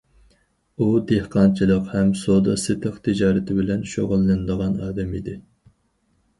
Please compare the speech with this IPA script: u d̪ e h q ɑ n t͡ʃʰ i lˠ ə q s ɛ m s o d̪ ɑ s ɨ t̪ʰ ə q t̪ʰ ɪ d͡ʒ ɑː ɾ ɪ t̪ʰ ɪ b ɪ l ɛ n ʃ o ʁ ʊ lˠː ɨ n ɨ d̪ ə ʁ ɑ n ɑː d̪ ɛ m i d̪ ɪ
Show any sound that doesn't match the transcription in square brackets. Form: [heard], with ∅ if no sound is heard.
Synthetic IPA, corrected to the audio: u d̪ e h q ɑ n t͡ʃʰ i lˠ ə q [h] ɛ m s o d̪ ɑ s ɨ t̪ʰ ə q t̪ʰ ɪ d͡ʒ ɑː ɾ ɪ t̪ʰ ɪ b ɪ l ɛ n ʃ o ʁ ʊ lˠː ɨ n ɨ d̪ ə ʁ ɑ n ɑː d̪ ɛ m i d̪ ɪ

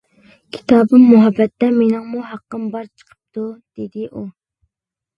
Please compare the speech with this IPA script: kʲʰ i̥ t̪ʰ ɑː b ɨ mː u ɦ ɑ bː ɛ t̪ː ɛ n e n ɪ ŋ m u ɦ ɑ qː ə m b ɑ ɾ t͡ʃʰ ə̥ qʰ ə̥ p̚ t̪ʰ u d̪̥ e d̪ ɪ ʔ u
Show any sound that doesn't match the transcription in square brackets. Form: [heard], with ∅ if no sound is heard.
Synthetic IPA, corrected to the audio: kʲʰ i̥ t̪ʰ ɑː b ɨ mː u ɦ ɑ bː ɛ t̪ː ɛ [m] e n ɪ ŋ m u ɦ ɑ qː ə m b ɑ ɾ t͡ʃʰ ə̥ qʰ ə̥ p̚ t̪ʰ u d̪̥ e d̪ ɪ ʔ u

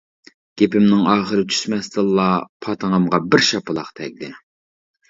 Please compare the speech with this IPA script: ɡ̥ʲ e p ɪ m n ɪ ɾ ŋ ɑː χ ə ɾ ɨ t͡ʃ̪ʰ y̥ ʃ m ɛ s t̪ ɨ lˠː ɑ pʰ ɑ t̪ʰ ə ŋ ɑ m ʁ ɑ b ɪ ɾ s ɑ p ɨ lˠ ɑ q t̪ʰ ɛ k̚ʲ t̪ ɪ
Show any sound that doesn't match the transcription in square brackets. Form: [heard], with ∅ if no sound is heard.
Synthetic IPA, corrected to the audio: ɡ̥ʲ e p ɪ m n ɪ [∅] ŋ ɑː χ ə ɾ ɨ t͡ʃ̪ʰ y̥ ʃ m ɛ s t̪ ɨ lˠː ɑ pʰ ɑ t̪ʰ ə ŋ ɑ m ʁ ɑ b ɪ ɾ [ʃ] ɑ p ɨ lˠ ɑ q t̪ʰ ɛ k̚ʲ [d̪] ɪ

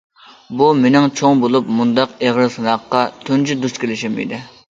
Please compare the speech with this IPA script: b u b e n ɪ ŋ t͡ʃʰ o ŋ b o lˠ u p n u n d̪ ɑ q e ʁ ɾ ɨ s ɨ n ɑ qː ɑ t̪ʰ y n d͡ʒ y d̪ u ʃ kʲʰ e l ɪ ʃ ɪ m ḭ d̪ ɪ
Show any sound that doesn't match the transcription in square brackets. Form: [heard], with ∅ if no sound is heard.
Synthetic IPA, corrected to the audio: b u [m] e n ɪ ŋ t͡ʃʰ o ŋ b o lˠ u p [m] u n d̪ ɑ q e ʁ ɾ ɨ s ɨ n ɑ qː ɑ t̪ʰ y n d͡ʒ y d̪ u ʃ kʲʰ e l ɪ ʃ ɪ m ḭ d̪ ɪ

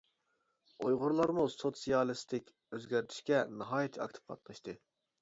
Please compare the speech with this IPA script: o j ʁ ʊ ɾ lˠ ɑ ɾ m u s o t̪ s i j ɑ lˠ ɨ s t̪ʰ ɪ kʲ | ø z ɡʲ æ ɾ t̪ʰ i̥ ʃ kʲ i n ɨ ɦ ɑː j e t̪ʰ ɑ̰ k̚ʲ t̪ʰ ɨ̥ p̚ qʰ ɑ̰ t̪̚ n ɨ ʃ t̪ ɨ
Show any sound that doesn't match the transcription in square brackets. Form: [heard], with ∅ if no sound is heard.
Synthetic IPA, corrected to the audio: o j ʁ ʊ ɾ lˠ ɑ ɾ m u s o t̪ s i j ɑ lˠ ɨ s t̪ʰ ɪ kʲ | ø z ɡʲ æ ɾ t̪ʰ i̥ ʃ kʲ [ɛ] n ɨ ɦ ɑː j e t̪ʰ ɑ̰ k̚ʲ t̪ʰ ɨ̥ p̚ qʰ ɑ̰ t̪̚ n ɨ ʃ t̪ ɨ

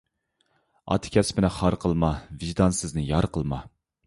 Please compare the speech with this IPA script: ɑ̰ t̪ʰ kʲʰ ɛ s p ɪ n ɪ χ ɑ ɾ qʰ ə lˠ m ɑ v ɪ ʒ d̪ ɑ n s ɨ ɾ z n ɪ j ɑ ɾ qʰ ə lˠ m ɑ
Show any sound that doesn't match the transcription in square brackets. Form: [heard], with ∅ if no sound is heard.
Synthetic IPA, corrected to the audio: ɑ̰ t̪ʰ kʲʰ ɛ s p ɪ n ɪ χ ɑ ɾ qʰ ə lˠ m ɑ v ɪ ʒ d̪ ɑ n s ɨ [∅] z n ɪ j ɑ ɾ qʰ ə lˠ m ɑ

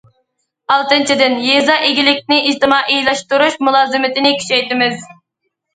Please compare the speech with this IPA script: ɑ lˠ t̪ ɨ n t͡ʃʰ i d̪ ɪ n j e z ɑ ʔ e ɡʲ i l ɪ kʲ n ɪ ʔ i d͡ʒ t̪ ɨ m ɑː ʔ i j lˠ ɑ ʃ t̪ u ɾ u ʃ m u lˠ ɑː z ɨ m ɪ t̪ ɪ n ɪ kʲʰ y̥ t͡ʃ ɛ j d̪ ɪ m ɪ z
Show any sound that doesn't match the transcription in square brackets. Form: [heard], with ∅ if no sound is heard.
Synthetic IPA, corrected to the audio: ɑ lˠ t̪ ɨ n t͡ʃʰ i d̪ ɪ n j e z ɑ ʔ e ɡʲ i l ɪ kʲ n ɪ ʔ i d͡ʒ t̪ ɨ m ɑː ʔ i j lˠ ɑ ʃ t̪ u ɾ u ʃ m u lˠ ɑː z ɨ m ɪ t̪ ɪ n ɪ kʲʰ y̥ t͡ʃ ɛ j [t̪] ɪ m ɪ z

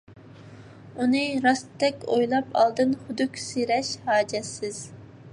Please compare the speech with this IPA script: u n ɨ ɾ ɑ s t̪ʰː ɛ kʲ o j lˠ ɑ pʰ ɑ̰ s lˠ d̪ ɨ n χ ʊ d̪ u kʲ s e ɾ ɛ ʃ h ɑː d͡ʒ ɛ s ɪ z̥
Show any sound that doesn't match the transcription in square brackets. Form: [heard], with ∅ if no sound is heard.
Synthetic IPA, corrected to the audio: u n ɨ ɾ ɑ s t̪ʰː ɛ kʲ o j lˠ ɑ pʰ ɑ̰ [∅] lˠ d̪ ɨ n χ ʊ d̪ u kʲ s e ɾ ɛ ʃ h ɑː d͡ʒ ɛ s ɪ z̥

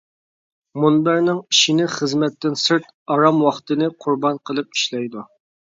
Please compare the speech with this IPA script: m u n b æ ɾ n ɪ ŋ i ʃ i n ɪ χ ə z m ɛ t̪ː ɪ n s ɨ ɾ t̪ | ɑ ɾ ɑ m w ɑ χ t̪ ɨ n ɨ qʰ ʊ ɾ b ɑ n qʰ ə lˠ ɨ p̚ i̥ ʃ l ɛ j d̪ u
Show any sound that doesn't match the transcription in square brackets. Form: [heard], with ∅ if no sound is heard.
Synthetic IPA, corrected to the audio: m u n b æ ɾ n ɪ ŋ i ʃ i n ɪ χ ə z m ɛ t̪ː ɪ n s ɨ ɾ t̪ | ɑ ɾ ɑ m w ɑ χ t̪ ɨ n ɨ qʰ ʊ ɾ b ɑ n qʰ ə lˠ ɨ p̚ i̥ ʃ l ɛ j d̪ u

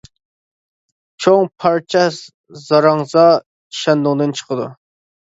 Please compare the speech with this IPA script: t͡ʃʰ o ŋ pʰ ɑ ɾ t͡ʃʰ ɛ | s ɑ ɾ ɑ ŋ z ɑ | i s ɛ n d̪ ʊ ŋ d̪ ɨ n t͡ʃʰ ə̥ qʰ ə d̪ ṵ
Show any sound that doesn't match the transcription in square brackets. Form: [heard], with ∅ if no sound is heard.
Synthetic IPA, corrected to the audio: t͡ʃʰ o ŋ pʰ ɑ ɾ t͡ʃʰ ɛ | [z] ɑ ɾ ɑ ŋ z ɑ | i [ʃ] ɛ n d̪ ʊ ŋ d̪ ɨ n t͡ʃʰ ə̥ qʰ ə d̪ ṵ

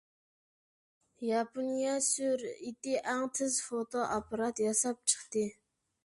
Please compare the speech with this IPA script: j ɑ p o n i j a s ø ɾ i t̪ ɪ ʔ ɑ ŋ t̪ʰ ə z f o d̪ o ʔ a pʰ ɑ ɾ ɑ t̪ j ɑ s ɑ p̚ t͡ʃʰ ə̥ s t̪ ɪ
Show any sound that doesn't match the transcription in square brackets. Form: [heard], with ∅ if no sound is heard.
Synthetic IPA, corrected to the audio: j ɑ p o n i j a s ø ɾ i t̪ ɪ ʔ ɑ ŋ t̪ʰ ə z f o [t̪] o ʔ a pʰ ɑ ɾ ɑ t̪ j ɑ s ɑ p̚ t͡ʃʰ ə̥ [χ] t̪ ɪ

